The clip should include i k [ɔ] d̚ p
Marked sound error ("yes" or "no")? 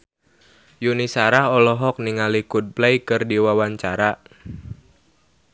yes